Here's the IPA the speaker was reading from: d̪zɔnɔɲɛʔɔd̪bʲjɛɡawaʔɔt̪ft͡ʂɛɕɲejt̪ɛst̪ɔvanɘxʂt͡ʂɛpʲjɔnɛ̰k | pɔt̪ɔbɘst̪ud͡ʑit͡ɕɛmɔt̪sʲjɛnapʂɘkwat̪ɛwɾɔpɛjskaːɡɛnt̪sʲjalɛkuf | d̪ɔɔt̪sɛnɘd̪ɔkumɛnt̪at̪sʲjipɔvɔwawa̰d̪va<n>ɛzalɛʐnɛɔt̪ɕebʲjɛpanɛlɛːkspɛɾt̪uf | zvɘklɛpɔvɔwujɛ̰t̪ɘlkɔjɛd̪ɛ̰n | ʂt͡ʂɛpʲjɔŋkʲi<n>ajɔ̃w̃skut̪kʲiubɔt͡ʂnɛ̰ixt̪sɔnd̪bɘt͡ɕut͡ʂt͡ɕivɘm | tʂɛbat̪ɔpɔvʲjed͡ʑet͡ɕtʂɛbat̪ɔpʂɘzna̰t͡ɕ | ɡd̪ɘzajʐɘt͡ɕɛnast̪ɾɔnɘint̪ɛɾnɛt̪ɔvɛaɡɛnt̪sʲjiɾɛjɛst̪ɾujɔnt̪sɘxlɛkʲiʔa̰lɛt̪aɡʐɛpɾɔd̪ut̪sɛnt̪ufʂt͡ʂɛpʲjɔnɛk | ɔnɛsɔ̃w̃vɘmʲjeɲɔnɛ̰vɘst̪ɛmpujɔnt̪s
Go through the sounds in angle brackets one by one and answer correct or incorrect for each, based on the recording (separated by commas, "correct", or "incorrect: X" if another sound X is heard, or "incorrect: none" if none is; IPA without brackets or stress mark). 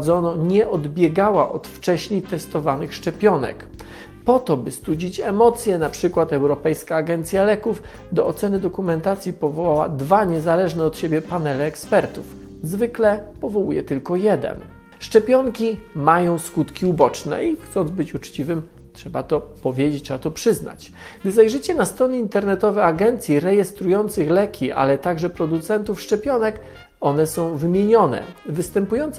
incorrect: ɲ, incorrect: m